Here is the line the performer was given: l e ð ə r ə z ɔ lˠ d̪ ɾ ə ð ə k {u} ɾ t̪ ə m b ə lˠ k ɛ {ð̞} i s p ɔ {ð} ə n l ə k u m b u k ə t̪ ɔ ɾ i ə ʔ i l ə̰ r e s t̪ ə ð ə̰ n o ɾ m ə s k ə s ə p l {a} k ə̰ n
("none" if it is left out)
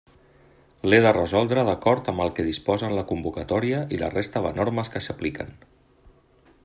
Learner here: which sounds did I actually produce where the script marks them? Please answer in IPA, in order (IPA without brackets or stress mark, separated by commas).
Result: ɔ, ð̞, z, i